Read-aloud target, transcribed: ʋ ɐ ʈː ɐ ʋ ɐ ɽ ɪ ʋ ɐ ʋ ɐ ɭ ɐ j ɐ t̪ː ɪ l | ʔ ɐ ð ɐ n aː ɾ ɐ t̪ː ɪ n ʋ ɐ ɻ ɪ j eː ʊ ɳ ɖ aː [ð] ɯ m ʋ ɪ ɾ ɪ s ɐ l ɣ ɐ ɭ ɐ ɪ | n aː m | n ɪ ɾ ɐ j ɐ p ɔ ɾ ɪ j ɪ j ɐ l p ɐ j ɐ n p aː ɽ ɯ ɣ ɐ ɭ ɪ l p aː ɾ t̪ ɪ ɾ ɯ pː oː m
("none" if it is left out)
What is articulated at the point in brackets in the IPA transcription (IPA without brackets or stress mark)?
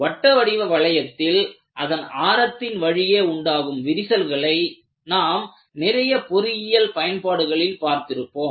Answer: ɣ